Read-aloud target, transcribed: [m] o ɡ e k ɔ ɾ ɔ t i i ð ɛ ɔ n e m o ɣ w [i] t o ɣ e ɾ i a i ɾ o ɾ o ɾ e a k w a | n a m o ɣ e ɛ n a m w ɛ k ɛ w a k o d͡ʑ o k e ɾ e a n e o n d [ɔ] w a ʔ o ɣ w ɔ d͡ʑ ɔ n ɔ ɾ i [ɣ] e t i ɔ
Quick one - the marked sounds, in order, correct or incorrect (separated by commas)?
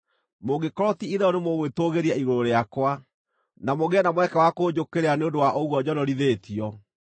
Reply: correct, incorrect, incorrect, incorrect